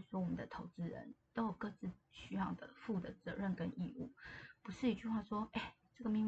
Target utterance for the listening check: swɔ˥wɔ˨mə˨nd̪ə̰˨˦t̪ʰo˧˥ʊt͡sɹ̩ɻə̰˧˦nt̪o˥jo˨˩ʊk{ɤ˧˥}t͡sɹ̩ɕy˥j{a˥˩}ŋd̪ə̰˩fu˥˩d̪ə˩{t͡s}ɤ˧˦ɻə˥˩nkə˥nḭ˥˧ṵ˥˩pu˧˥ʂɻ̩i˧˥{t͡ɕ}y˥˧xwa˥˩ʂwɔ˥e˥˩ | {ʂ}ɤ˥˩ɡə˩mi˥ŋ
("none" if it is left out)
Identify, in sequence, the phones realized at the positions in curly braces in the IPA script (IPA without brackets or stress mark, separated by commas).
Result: ɤ˥˧, ɑ˥˩, t͡s, t͡ɕ, ʈ͡ʂ